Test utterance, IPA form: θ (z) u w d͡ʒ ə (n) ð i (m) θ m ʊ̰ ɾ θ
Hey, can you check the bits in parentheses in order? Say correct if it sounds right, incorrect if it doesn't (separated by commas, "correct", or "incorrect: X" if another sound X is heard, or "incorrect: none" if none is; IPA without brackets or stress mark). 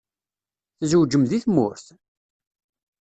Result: correct, incorrect: m, incorrect: none